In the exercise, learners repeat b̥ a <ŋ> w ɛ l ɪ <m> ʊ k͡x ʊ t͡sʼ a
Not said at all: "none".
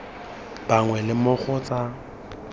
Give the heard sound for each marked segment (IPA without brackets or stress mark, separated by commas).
ŋ, m